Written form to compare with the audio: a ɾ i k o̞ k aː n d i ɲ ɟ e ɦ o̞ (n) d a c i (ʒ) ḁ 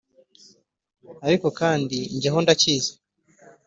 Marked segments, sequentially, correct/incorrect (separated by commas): correct, incorrect